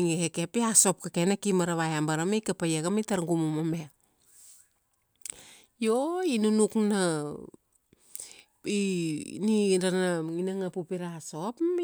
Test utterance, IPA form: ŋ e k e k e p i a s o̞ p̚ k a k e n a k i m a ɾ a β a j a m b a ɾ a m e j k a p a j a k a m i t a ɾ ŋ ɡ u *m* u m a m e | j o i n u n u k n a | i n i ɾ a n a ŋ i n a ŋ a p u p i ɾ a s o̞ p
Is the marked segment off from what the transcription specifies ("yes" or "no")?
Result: no